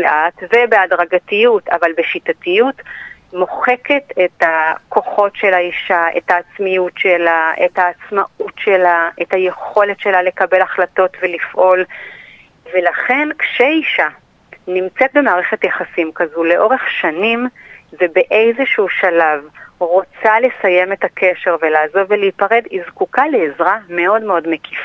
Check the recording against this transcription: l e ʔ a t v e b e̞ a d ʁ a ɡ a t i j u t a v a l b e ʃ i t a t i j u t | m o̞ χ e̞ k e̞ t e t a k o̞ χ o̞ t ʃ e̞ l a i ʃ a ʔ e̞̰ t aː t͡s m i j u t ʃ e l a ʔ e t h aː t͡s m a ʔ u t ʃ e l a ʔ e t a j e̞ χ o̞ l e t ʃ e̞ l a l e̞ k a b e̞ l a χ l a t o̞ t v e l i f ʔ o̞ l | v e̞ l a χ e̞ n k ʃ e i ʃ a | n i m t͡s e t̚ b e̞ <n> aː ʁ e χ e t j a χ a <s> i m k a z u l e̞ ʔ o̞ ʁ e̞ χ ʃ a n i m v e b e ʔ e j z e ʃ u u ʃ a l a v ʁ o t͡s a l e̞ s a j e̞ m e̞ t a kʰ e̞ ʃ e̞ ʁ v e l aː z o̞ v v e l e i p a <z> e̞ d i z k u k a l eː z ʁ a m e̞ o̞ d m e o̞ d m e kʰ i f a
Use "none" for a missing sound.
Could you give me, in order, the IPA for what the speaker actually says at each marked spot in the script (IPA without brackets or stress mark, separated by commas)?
m, s, ʁ